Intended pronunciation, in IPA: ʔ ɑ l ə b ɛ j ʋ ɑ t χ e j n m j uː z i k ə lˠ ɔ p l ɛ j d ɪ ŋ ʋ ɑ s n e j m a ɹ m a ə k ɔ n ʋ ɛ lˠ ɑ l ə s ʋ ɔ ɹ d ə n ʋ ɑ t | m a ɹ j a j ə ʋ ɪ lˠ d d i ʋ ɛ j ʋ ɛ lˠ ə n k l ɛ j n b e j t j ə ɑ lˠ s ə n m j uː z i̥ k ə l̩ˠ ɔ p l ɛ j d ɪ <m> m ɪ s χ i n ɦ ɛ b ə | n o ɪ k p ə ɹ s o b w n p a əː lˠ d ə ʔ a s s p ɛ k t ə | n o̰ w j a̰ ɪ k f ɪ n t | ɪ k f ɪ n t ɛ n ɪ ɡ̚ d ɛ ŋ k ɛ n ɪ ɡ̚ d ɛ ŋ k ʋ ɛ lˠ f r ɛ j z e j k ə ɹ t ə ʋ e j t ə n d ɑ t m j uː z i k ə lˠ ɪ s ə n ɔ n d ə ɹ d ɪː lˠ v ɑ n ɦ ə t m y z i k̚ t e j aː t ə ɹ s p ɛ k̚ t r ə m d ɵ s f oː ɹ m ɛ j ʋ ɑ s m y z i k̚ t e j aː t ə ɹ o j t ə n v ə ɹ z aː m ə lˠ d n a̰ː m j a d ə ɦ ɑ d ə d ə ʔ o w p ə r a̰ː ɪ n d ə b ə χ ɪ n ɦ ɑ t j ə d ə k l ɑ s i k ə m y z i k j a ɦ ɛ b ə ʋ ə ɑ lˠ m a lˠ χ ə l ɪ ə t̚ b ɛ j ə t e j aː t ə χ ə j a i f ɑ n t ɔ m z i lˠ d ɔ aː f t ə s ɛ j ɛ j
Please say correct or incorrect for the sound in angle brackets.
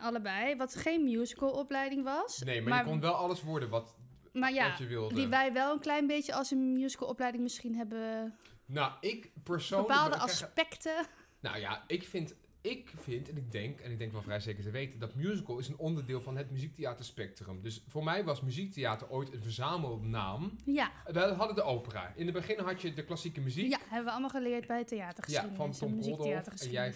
incorrect